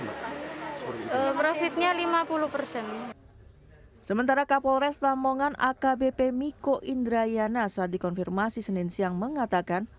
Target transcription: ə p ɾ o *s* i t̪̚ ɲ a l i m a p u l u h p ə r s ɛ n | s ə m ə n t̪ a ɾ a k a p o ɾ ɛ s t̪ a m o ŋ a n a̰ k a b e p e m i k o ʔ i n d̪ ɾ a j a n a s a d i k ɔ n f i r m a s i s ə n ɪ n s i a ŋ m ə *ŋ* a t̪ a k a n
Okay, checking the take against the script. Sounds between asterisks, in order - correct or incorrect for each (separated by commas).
incorrect, correct